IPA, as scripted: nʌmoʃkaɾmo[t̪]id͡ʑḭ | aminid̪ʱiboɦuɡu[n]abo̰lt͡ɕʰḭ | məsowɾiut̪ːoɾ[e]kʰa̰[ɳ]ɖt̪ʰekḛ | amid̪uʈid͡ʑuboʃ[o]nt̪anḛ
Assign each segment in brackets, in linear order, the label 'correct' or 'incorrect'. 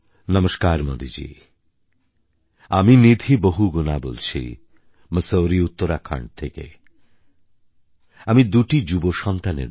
incorrect: d̪, correct, incorrect: a, correct, incorrect: ɔ

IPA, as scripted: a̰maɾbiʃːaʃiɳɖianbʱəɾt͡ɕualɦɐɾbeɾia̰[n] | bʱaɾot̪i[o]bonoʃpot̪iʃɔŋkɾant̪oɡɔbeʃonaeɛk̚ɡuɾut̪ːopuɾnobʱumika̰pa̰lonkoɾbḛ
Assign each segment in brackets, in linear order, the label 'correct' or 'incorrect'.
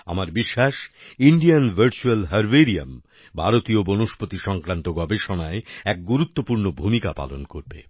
incorrect: m, correct

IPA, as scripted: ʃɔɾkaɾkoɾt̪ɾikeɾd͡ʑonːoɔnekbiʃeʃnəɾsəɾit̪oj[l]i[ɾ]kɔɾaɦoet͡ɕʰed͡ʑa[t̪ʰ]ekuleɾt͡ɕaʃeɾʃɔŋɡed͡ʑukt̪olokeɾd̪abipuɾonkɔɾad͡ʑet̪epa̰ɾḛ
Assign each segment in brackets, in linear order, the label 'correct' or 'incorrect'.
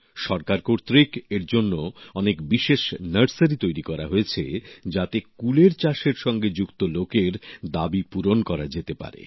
incorrect: ɾ, incorrect: none, incorrect: t̪

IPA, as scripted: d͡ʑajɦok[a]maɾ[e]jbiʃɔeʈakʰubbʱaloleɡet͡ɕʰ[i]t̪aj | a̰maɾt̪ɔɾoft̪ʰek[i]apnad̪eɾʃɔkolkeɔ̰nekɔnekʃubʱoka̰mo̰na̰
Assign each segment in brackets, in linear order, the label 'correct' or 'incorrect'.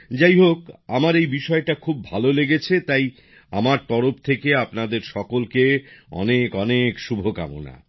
correct, correct, incorrect: e, incorrect: e

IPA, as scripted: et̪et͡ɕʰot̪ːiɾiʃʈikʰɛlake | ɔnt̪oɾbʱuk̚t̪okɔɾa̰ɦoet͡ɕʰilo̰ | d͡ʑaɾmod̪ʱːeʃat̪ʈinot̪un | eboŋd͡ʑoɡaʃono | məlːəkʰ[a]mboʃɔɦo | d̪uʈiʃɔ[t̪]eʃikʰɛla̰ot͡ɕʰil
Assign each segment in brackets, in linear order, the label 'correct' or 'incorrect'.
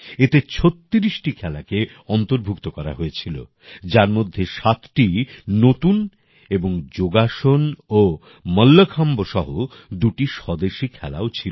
correct, incorrect: d̪

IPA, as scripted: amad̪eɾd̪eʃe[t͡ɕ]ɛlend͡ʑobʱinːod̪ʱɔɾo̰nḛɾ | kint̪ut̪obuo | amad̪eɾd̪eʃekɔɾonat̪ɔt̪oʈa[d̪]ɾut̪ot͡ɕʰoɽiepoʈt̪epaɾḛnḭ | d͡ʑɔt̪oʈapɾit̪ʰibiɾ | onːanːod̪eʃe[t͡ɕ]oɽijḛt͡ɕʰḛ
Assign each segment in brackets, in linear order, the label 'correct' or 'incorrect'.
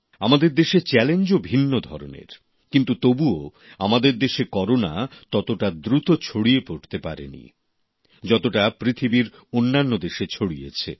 correct, correct, incorrect: t͡ɕʰ

